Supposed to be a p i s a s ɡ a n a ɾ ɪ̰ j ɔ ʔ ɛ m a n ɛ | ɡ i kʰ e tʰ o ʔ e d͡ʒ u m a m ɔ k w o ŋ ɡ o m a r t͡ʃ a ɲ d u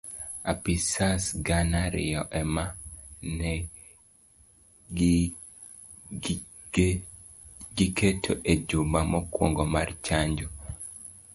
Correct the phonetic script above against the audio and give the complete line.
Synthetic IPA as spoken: a p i s a s ɡ a n a ɾ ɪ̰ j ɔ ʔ ɛ m a n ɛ | ɡ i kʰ e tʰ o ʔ e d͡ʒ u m a m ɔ k w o ŋ ɡ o m a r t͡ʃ a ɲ d͡ʒ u